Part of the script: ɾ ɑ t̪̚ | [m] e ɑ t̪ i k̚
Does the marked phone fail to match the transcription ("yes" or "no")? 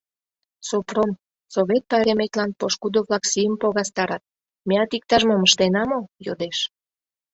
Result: no